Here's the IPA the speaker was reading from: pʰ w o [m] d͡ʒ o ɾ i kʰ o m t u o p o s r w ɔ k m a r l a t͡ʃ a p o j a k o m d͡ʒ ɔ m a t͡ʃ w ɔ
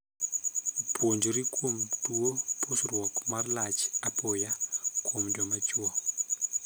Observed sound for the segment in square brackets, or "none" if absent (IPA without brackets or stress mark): ɲ